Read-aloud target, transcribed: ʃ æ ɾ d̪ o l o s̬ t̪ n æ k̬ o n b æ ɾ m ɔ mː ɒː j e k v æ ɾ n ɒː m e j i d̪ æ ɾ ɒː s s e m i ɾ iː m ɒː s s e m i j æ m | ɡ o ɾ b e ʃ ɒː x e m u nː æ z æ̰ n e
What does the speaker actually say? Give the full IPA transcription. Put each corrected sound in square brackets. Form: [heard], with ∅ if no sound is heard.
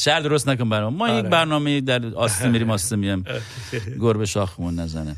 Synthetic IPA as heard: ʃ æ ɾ d̪ o [ɾ] o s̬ t̪ n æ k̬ o n b æ ɾ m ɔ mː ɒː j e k [b] æ ɾ n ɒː m e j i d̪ æ ɾ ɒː s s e m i ɾ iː m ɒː s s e m i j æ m | ɡ o ɾ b e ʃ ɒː x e m u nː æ z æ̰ n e